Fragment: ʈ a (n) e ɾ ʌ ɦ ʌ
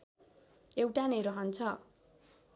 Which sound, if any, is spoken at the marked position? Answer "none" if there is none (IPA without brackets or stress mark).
n